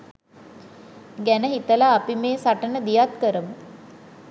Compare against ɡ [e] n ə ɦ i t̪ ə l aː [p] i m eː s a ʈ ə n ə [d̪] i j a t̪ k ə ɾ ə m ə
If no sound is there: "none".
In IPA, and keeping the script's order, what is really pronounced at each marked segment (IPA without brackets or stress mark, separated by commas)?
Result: æ, p, d̪